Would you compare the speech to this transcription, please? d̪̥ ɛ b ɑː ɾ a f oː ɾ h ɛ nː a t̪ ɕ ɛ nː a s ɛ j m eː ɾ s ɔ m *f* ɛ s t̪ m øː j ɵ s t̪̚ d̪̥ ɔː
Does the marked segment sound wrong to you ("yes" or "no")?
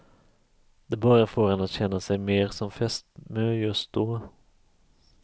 no